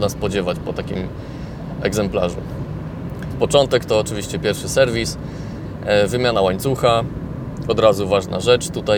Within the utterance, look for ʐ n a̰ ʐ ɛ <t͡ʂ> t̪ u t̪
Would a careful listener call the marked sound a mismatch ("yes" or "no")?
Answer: no